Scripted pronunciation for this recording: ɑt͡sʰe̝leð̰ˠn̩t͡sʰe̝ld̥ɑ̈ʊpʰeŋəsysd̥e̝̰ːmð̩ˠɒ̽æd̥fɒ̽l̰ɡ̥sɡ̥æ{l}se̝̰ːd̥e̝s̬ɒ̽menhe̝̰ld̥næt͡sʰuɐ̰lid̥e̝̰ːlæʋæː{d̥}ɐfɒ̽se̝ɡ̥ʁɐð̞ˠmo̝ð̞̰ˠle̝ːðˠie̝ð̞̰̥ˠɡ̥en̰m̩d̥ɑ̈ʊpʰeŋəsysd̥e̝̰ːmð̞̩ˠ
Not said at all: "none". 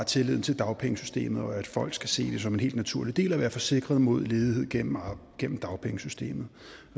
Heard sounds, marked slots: none, none

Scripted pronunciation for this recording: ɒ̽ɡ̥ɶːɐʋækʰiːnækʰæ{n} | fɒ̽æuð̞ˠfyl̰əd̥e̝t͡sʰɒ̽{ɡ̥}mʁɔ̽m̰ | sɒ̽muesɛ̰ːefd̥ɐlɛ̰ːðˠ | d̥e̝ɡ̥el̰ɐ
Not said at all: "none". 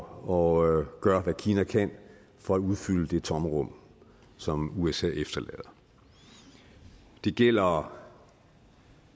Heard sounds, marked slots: n, none

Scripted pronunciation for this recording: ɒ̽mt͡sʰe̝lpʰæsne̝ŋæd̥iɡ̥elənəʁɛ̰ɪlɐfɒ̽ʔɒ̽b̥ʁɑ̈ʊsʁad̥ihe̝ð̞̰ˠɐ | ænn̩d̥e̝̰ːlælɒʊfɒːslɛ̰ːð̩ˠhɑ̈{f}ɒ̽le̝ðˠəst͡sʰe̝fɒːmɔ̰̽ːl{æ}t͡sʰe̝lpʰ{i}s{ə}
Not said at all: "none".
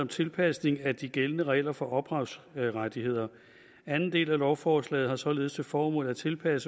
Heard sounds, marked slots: s, æ, æ, ə

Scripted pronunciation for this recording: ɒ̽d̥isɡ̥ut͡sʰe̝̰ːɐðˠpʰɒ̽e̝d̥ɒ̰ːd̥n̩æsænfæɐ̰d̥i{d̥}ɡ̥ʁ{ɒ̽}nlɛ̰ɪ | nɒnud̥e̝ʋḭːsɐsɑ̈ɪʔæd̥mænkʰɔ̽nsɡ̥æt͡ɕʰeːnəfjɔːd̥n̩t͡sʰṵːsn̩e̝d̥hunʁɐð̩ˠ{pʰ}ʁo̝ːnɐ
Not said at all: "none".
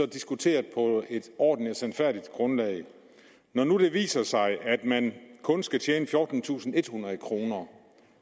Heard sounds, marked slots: d̥, ɔ̽, kʰ

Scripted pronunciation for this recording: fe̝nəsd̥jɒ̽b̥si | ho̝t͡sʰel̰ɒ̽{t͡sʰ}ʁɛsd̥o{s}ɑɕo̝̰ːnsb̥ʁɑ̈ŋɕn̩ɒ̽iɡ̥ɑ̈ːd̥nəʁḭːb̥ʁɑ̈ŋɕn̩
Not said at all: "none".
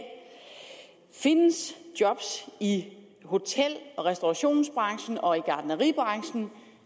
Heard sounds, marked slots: none, none

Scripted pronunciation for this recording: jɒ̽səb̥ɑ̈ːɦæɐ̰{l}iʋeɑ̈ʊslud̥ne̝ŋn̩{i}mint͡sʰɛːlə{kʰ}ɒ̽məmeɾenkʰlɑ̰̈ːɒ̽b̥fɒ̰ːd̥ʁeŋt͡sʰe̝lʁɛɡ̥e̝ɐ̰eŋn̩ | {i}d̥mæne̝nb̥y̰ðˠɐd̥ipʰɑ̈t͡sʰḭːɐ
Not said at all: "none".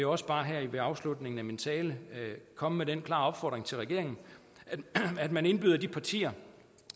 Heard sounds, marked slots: none, æ, kʰ, æ

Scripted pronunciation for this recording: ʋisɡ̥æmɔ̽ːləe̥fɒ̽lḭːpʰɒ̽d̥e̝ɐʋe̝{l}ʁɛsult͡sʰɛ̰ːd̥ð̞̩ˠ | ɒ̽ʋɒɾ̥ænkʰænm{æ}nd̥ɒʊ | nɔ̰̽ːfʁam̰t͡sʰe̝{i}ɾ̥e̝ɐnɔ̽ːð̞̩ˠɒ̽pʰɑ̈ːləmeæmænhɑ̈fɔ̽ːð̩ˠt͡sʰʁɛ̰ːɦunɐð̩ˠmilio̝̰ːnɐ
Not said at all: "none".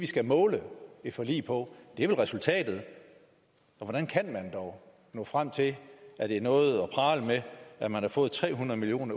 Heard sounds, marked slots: l, æ, æ

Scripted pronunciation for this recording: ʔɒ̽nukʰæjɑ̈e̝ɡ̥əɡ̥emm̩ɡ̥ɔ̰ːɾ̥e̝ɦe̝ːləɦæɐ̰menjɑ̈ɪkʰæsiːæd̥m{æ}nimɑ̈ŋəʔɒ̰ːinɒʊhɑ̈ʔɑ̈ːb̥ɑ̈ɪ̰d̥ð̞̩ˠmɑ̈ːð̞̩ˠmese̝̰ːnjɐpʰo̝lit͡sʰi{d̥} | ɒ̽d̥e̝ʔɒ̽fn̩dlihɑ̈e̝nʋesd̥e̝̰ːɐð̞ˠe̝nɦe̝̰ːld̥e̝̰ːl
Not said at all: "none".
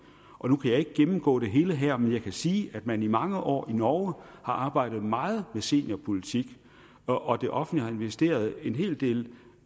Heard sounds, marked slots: æ, ɡ̥

